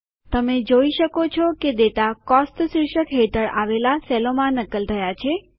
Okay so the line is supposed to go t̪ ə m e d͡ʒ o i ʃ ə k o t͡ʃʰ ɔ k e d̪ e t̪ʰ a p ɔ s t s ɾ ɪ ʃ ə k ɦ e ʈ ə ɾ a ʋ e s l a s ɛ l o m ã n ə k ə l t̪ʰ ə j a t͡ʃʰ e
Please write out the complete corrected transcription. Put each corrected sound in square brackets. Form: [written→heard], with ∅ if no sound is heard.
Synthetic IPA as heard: t̪ ə m e d͡ʒ o i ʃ ə k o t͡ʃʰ ɔ k e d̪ e [t̪ʰ→t̪] a [p→k] ɔ s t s ɾ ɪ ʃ ə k ɦ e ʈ ə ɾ a ʋ e [s→∅] l a s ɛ l o m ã n ə k ə l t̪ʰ ə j a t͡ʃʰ e